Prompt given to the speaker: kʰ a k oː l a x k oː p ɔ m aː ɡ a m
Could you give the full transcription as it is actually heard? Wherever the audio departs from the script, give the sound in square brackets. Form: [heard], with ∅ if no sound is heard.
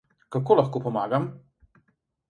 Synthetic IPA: [k] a k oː l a x k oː p ɔ m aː ɡ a m